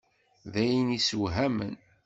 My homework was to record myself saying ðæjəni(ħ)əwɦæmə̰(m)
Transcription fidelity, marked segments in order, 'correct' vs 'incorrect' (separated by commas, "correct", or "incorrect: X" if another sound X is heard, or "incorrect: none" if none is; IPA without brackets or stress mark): incorrect: s, incorrect: n